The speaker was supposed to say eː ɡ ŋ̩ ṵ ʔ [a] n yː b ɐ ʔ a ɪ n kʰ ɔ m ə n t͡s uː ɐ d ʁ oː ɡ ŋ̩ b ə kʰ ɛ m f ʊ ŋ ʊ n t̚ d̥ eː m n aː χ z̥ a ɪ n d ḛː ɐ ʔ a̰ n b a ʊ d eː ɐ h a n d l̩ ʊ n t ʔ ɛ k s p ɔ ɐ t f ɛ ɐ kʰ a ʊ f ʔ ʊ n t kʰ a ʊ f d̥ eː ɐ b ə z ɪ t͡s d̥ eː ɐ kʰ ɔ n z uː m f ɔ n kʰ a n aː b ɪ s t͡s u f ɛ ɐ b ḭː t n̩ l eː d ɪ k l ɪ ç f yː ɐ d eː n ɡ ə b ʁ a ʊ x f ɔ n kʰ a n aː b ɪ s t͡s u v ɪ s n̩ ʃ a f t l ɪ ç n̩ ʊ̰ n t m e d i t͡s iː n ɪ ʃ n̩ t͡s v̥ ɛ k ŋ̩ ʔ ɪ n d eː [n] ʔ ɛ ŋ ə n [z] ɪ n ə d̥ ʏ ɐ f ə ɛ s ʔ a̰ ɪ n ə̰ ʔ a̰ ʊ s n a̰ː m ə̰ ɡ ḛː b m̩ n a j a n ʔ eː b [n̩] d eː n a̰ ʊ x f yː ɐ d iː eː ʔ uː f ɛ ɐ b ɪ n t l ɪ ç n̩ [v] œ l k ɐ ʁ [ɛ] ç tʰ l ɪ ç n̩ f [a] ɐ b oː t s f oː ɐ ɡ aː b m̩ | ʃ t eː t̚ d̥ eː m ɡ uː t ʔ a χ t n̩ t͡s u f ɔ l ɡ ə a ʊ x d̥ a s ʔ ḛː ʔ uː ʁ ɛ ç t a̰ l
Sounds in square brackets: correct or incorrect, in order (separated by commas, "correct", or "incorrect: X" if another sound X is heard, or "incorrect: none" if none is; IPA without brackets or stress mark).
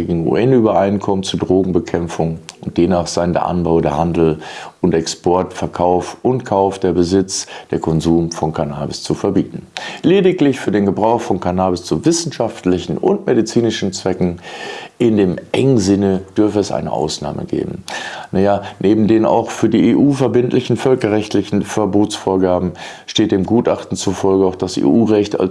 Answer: incorrect: ɛ, incorrect: m, correct, incorrect: m̩, incorrect: f, correct, incorrect: ɛ